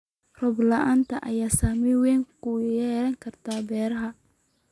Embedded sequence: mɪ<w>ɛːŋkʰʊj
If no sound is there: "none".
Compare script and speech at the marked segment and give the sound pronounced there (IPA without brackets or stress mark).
w